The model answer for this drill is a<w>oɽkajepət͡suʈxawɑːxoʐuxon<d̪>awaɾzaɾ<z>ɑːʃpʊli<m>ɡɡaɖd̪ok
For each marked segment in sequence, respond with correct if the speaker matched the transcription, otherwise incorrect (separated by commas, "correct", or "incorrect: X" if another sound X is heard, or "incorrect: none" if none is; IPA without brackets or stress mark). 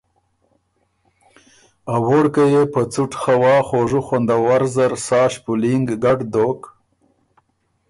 correct, correct, incorrect: s, incorrect: ŋ